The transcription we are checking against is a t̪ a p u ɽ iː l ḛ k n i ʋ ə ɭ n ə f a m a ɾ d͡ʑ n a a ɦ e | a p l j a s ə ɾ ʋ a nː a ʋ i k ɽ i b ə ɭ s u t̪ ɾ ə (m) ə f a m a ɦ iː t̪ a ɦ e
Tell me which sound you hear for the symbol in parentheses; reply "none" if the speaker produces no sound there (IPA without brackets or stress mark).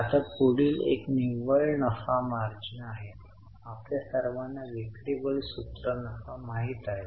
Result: n